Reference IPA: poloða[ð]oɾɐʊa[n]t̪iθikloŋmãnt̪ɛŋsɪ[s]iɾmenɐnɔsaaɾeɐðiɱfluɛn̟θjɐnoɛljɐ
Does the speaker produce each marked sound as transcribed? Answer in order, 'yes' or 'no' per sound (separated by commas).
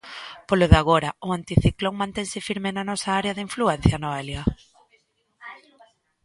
no, yes, no